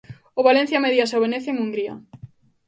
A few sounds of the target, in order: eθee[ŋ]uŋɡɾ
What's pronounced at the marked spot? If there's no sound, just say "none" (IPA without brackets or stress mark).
ŋ